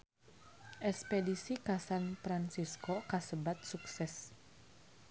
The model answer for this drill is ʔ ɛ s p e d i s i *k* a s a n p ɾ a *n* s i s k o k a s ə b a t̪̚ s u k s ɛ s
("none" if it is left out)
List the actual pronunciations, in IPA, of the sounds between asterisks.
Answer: k, n

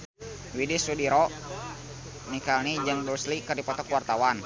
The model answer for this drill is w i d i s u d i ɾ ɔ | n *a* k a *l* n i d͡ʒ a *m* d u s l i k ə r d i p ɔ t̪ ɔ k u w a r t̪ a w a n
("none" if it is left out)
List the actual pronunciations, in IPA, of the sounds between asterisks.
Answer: i, l, ŋ

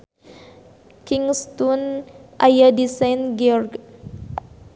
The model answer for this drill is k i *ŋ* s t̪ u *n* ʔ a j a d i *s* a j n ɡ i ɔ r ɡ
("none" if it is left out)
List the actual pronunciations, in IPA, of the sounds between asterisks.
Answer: ŋ, n, s

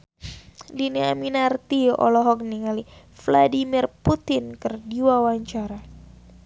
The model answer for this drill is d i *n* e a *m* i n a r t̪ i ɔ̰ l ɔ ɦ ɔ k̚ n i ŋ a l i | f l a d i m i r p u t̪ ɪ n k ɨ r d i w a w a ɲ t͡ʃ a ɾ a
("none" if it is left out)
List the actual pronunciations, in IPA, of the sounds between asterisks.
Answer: n, m

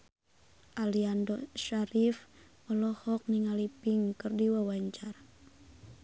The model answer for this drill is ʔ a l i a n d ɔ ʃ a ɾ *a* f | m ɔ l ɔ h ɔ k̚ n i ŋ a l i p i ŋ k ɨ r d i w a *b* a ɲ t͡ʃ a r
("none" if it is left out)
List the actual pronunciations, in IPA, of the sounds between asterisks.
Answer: i, w

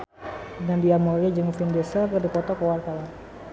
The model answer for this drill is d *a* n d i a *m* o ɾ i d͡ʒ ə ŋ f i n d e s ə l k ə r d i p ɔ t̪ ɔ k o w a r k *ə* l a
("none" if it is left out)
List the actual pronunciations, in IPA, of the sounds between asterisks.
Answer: a, m, a

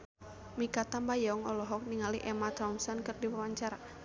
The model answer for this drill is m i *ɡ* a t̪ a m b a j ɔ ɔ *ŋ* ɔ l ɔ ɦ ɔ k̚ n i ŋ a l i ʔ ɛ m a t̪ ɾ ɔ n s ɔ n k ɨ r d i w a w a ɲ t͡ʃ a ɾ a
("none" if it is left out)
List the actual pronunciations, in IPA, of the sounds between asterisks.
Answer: k, ŋ

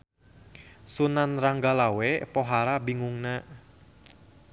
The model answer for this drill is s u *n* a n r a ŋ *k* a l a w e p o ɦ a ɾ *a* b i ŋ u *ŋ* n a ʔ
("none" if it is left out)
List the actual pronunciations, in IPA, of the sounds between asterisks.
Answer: n, ɡ, a, ŋ

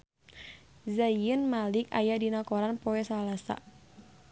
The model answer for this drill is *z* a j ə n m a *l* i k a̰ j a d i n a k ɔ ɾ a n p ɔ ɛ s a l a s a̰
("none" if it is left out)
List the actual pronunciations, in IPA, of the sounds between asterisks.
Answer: z, l

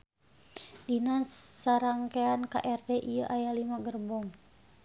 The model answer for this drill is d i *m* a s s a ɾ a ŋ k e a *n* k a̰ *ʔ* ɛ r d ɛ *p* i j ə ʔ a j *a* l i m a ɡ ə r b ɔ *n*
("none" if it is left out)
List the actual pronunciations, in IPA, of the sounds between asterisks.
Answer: n, n, ʔ, ʔ, a, ŋ

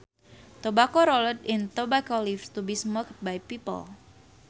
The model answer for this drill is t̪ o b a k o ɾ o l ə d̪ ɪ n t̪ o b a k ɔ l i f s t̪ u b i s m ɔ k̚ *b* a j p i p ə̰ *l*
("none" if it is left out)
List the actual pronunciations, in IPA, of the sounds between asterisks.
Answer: b, l

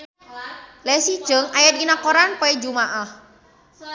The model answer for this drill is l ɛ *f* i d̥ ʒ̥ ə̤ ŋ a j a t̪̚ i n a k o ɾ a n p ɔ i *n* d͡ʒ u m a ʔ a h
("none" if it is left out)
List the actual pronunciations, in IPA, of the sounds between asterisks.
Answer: s, none

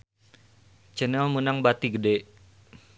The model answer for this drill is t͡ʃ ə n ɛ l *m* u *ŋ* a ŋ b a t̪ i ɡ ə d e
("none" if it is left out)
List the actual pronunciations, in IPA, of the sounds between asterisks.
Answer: m, n

